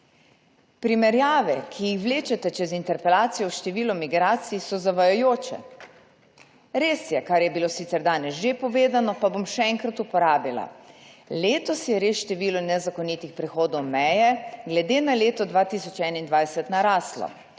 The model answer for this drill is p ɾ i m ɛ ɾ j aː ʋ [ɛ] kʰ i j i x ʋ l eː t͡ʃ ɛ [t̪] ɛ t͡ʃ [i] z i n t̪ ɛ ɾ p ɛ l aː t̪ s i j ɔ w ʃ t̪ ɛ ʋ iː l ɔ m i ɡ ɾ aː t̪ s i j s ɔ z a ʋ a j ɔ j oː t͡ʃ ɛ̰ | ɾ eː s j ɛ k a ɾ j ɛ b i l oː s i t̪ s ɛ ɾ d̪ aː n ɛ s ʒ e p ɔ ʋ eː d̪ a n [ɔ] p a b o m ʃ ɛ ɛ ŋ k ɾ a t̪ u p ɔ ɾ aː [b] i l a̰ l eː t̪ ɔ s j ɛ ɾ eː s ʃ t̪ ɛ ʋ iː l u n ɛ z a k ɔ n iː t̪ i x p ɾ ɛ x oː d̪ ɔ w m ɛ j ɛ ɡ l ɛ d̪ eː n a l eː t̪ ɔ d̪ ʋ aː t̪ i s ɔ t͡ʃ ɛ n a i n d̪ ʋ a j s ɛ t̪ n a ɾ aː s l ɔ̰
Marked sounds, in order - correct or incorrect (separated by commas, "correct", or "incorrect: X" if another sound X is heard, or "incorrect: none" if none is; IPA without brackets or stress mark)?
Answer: correct, correct, incorrect: ɛ, correct, correct